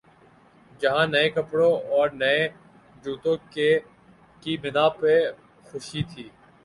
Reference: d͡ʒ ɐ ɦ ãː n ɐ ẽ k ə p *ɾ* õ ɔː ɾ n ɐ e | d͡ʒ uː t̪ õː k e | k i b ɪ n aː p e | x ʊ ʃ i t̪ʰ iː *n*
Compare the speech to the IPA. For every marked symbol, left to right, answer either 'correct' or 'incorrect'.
incorrect: ɽ, incorrect: none

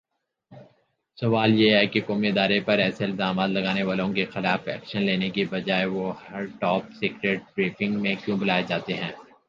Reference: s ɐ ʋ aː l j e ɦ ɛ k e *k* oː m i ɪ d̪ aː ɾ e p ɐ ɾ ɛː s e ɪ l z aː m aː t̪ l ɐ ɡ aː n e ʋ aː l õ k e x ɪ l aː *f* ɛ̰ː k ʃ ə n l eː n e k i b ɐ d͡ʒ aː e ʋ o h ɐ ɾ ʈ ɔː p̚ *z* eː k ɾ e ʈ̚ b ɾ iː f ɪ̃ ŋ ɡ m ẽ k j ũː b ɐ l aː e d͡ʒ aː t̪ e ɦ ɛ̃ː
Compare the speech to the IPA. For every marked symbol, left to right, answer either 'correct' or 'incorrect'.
correct, correct, incorrect: s

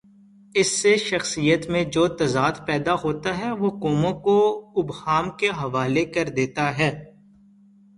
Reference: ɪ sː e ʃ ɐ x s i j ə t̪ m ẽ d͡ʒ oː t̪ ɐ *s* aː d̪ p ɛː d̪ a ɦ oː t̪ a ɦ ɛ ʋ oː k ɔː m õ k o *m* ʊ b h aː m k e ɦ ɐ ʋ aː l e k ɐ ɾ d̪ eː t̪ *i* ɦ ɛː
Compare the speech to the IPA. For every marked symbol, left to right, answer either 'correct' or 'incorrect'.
incorrect: z, incorrect: none, incorrect: a

